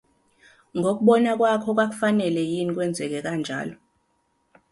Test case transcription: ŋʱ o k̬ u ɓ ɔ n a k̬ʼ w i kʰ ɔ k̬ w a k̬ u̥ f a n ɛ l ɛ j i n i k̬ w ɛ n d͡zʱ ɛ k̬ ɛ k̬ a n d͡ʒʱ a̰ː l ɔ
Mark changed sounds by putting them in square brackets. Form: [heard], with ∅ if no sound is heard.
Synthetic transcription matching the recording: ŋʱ o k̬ u ɓ ɔ n a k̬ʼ w [a] kʰ ɔ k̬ w a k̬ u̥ f a n ɛ l ɛ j i n i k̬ w ɛ n d͡zʱ ɛ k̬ ɛ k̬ a n d͡ʒʱ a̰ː l ɔ